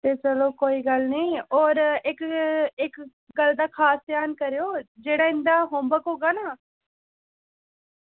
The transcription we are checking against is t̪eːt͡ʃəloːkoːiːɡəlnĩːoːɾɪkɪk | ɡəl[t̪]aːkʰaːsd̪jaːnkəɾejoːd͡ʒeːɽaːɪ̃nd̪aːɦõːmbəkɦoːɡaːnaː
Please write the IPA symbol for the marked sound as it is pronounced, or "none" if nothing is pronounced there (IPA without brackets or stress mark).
d̪